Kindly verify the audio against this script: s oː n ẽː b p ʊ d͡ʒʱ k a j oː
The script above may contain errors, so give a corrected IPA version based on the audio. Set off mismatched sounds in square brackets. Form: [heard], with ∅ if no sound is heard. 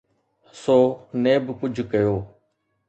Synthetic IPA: s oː n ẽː b [k] ʊ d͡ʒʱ k [ə] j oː